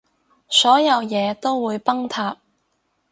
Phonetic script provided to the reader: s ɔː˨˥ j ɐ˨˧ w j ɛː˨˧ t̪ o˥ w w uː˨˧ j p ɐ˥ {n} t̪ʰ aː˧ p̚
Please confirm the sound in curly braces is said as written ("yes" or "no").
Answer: no